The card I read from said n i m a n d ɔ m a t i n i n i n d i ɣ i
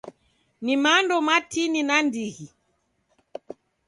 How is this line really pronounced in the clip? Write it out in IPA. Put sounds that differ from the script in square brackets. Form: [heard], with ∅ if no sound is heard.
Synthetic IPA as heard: n i m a n d ɔ m a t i n i n [a] n d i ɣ i